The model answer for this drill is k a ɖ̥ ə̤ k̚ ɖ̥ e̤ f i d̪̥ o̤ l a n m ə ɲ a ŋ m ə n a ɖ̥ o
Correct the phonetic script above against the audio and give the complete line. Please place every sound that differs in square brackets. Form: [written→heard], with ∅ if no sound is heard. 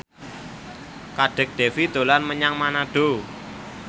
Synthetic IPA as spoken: k a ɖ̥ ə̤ k̚ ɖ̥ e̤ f i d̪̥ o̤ l a n m ə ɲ a ŋ m [ə→a] n a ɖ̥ o